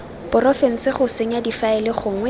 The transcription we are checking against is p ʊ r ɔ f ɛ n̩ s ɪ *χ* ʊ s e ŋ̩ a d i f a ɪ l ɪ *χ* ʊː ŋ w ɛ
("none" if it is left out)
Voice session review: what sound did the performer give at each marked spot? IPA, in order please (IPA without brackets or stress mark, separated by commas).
χ, χ